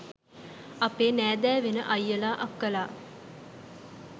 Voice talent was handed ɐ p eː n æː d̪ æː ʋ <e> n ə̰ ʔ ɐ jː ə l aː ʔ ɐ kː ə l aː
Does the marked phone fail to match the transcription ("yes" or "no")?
no